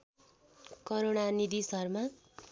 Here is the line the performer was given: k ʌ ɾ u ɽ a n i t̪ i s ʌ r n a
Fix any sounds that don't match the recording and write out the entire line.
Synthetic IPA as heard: k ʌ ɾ o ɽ a n i d̪ i s ʌ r m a